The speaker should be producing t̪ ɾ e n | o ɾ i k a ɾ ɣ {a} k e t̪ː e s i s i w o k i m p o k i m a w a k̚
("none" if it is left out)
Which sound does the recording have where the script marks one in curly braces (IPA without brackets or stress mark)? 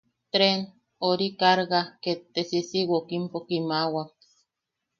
a